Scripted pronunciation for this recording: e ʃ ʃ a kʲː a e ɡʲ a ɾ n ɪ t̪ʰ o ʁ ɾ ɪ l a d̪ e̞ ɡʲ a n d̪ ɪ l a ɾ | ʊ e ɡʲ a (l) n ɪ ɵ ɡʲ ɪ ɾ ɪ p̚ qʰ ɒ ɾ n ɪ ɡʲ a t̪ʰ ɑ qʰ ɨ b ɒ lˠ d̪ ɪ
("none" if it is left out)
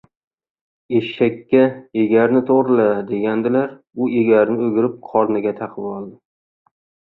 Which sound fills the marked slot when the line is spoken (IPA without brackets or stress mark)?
ɾ